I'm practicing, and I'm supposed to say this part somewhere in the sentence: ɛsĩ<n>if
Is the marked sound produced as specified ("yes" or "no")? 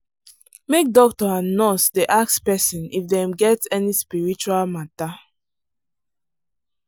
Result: yes